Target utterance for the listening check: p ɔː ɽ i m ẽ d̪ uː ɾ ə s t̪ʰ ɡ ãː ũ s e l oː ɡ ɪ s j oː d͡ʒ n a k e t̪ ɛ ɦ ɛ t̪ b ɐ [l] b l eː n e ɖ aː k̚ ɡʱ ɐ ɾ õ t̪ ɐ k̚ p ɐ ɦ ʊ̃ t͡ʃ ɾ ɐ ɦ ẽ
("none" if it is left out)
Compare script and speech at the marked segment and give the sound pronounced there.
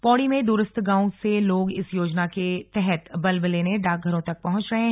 l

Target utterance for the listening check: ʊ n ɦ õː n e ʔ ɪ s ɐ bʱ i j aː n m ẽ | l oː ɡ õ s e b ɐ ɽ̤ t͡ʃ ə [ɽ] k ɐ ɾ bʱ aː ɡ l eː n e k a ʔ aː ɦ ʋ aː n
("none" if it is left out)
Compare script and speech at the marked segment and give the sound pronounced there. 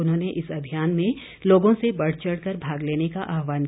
ɽ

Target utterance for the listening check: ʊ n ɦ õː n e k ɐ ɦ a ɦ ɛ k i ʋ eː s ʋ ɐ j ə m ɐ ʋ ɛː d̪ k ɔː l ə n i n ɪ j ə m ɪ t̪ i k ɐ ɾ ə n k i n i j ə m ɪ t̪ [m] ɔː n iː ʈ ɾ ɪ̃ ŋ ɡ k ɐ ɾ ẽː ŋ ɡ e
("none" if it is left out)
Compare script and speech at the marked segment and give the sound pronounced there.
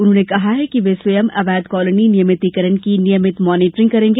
m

